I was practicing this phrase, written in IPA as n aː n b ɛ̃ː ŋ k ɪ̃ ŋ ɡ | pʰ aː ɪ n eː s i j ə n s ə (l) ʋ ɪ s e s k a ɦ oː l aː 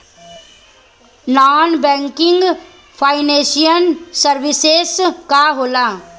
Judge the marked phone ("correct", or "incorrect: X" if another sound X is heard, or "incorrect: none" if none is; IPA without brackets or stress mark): incorrect: ɾ